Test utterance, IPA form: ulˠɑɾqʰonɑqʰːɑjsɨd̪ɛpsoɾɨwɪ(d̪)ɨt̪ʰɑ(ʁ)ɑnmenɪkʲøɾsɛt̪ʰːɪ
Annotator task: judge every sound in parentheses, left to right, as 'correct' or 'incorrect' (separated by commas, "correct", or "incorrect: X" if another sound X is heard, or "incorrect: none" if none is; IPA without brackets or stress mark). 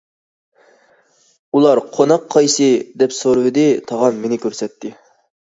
correct, correct